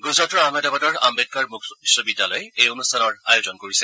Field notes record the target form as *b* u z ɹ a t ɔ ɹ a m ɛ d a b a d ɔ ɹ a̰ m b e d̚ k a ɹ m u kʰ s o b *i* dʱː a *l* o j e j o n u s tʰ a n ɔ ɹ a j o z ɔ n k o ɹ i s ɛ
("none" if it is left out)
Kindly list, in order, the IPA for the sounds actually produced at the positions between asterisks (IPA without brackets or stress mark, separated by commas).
ɡ, i, l